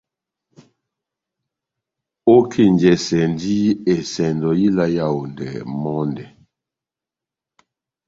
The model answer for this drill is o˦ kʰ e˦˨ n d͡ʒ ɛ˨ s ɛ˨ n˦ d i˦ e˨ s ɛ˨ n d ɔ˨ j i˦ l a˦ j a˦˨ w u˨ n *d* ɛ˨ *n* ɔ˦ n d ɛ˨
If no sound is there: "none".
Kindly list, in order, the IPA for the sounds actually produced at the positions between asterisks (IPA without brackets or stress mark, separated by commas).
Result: d, m